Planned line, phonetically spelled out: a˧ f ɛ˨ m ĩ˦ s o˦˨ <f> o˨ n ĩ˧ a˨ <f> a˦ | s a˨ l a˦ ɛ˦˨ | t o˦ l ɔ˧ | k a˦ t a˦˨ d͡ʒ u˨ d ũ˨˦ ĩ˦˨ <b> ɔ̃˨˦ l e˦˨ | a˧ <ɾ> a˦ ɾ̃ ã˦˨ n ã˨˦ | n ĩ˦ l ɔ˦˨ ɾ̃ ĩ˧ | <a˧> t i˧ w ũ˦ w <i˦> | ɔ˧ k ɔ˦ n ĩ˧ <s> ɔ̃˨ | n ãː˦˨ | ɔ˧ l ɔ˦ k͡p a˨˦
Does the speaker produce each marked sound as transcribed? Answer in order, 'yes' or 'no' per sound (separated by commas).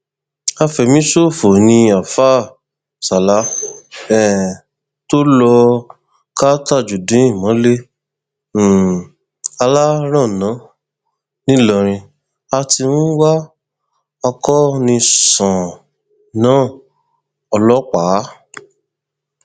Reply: yes, yes, no, no, yes, no, yes